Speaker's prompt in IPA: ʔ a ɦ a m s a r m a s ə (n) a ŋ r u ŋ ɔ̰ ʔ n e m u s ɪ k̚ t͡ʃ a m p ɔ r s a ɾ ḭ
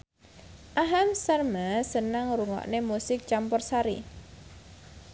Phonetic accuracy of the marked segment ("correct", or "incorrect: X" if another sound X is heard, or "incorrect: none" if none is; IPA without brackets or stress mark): correct